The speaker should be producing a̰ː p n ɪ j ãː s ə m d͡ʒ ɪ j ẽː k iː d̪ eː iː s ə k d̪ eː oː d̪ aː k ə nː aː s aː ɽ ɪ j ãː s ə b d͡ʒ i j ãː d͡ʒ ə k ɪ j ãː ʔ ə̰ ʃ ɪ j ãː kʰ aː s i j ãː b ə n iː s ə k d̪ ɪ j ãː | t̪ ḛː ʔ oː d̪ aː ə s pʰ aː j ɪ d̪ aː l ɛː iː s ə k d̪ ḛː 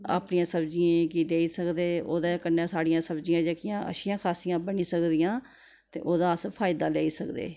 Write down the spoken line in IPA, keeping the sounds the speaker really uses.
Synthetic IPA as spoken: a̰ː p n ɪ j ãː s ə b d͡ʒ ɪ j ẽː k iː d̪ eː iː s ə k d̪ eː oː d̪ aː k ə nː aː s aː ɽ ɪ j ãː s ə b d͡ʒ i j ãː d͡ʒ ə k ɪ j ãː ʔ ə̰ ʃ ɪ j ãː kʰ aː s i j ãː b ə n iː s ə k d̪ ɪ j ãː | t̪ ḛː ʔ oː d̪ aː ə s pʰ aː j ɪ d̪ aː l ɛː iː s ə k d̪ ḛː